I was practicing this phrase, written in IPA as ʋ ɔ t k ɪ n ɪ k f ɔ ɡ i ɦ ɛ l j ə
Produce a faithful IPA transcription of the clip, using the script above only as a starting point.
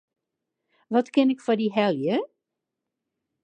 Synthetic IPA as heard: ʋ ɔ t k ɪ n ɪ k f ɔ d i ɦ ɛ l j ə